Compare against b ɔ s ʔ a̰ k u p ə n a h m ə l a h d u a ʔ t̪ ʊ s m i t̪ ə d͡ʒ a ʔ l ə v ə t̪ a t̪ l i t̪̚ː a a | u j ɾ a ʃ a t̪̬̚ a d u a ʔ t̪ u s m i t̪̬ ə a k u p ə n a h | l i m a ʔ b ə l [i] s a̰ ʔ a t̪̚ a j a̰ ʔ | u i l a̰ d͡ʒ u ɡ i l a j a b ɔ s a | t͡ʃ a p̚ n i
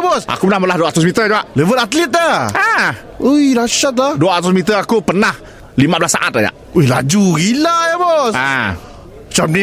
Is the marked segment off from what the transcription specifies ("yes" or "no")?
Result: yes